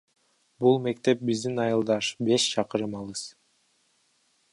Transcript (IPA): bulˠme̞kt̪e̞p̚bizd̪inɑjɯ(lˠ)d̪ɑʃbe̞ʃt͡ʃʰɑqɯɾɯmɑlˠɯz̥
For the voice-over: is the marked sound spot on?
yes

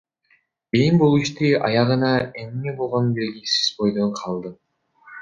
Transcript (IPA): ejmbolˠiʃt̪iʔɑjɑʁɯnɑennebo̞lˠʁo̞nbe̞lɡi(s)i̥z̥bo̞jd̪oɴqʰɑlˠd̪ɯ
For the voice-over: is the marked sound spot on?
yes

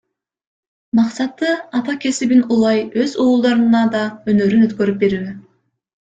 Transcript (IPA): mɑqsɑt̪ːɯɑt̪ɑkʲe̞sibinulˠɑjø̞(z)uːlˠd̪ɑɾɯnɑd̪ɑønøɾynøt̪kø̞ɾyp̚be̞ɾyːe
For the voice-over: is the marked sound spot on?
yes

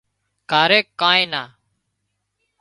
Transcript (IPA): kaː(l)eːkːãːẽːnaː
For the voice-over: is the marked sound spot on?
no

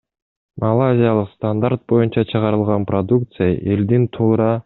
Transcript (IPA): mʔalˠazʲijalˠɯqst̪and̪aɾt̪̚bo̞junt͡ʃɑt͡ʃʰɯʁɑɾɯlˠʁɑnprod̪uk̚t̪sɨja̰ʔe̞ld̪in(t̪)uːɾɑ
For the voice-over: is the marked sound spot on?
no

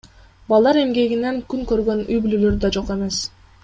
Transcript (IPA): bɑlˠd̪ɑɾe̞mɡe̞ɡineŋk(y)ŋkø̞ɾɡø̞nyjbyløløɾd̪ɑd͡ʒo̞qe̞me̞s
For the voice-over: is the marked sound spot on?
yes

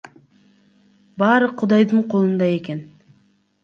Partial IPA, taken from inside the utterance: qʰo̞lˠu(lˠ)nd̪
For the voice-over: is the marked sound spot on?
no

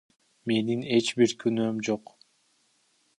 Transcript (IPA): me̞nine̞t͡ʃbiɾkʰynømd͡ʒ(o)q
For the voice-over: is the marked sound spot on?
yes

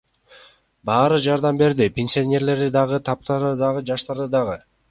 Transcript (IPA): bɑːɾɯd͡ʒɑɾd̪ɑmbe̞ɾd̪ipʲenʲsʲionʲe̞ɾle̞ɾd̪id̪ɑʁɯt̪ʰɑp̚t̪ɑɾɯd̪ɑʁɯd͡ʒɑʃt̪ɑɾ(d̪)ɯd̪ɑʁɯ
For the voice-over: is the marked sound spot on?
yes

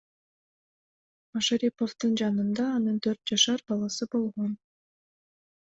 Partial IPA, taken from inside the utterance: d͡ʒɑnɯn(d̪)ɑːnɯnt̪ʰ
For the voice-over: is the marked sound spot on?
yes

